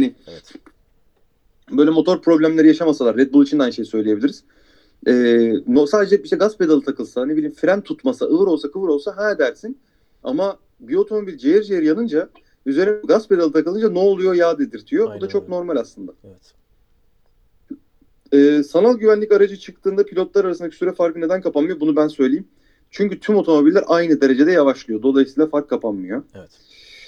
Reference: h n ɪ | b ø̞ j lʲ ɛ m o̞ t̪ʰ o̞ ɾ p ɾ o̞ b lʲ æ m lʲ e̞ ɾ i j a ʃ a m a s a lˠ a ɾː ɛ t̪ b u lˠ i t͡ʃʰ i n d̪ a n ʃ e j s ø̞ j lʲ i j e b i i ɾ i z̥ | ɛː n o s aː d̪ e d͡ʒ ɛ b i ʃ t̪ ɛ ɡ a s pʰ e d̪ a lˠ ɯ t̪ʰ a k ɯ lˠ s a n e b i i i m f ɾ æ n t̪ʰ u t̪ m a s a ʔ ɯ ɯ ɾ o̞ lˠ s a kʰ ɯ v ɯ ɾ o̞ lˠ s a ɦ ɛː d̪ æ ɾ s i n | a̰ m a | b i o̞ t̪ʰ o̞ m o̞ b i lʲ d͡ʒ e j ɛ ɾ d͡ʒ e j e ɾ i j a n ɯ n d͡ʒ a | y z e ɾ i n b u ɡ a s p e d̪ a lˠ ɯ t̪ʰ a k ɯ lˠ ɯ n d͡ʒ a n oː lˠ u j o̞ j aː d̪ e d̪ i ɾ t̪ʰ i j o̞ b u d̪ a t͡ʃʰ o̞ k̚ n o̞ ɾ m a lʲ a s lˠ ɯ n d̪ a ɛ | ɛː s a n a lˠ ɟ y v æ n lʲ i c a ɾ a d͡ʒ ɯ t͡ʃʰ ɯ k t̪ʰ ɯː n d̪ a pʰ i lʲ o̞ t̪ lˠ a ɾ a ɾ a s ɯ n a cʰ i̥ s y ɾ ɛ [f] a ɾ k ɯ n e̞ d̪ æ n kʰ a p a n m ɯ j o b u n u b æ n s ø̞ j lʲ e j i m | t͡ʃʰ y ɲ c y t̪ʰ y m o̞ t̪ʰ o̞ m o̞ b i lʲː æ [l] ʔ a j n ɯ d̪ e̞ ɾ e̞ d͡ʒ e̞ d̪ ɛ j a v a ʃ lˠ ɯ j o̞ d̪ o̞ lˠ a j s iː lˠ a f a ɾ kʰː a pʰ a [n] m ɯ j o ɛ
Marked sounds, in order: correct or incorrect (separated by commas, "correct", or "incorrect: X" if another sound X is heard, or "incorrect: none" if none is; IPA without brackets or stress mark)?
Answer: correct, incorrect: ɾ, correct